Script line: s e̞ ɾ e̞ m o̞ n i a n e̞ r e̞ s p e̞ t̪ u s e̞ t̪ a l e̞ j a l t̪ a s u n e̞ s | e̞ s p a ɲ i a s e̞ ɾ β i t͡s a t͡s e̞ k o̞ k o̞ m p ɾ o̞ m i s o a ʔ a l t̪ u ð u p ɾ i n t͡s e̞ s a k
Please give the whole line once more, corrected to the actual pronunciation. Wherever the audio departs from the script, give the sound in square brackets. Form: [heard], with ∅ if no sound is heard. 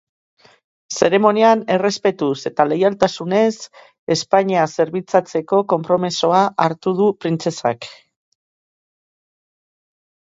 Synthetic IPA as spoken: s e̞ ɾ e̞ m o̞ n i a n e̞ r e̞ s p e̞ t̪ u s e̞ t̪ a l e̞ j a l t̪ a s u n e̞ s | e̞ s p a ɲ i a s e̞ ɾ β i t͡s a t͡s e̞ k o̞ k o̞ m p ɾ o̞ m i s o a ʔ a [ɾ] t̪ u ð u p ɾ i n t͡s e̞ s a k